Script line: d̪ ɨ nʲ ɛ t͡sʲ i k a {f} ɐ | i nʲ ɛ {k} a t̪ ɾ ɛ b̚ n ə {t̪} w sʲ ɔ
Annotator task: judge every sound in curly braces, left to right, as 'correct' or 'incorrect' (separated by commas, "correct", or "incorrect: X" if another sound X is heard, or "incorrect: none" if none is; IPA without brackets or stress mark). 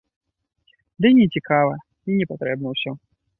incorrect: v, incorrect: p, incorrect: none